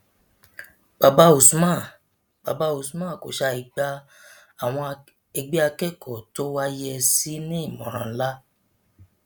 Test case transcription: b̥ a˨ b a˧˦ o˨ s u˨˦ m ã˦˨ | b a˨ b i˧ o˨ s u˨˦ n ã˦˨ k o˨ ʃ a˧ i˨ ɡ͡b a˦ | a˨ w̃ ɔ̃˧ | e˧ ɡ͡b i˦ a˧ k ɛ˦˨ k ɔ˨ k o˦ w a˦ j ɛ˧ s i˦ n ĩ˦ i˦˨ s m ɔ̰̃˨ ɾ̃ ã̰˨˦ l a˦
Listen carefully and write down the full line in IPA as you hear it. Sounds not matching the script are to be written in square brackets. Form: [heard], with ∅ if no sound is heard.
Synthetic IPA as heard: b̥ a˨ b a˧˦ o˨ s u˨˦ m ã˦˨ | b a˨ b [a˧] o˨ s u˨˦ [m] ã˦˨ k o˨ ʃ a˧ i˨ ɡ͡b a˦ | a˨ w̃ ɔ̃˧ | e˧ ɡ͡b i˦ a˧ k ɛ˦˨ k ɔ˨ [t] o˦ w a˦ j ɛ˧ s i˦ n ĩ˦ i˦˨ [∅] m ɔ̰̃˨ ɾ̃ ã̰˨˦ l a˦